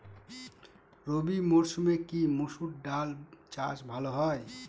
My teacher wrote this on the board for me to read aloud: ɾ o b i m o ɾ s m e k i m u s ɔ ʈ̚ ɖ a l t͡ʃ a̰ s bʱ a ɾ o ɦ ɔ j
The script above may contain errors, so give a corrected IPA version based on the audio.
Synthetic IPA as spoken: ɾ o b i m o ɾ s m e k i m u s u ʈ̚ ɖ a l t͡ʃ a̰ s bʱ a l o ɦ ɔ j